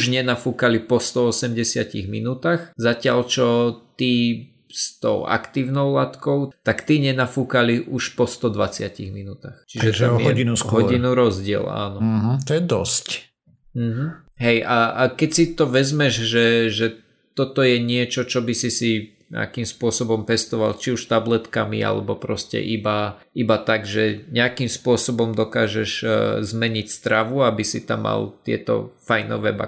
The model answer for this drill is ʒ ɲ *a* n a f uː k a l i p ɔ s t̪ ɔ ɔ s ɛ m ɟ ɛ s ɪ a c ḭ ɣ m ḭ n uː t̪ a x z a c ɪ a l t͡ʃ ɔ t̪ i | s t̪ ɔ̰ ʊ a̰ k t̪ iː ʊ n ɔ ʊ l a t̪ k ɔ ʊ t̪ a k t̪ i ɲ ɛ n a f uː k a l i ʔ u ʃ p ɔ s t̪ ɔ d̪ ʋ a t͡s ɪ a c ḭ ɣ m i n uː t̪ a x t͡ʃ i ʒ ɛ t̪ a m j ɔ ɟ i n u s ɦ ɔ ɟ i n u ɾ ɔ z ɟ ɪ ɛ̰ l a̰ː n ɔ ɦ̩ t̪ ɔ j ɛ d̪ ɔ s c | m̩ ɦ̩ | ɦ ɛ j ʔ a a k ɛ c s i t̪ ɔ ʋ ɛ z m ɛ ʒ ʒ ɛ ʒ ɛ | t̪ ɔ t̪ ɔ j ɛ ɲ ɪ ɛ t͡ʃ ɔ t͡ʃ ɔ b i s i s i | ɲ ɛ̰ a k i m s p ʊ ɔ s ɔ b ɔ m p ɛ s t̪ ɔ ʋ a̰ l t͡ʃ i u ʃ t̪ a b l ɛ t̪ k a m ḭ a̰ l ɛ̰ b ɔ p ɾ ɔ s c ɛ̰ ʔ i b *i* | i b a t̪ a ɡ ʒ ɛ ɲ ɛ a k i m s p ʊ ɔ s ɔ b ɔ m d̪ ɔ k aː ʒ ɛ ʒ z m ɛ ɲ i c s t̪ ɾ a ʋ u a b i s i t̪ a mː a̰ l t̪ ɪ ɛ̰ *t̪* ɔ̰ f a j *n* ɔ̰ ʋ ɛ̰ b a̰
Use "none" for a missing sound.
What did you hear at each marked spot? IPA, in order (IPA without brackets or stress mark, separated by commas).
ɛ, a, t̪, n